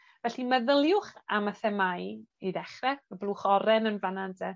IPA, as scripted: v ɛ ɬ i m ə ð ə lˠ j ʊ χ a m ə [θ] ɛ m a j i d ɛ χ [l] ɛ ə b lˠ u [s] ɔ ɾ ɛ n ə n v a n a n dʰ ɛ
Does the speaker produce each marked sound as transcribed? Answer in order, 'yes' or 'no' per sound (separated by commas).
yes, no, no